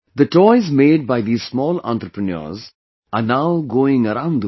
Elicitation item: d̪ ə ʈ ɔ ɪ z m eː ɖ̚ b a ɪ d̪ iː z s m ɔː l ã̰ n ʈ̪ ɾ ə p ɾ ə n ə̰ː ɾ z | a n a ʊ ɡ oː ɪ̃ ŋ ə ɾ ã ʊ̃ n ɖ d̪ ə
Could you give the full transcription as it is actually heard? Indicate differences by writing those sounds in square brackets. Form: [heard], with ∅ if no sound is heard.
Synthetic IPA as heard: d̪ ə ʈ ɔ ɪ z m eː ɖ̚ b a ɪ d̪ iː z s m ɔː l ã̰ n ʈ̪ ɾ ə p ɾ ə n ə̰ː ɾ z | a n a ʊ ɡ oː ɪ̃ ŋ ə ɾ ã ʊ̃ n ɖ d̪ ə